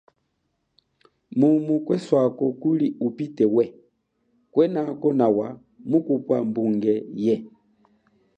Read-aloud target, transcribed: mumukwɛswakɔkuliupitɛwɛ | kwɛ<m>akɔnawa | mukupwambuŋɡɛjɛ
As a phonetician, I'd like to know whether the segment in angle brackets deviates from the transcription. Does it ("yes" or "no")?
yes